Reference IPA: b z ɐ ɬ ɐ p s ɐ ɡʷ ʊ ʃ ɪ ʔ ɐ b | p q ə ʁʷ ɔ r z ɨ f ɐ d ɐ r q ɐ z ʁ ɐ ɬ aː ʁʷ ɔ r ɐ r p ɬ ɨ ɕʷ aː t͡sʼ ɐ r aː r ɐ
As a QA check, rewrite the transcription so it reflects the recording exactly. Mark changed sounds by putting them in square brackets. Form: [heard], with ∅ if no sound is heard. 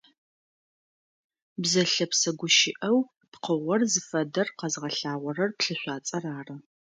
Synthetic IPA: b z ɐ ɬ ɐ p s ɐ ɡʷ ʊ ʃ ɪ ʔ ɐ [w] | p q ə ʁʷ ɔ r z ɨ f ɐ d ɐ r q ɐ z ʁ ɐ ɬ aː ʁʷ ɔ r ɐ r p ɬ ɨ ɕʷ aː t͡sʼ ɐ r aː r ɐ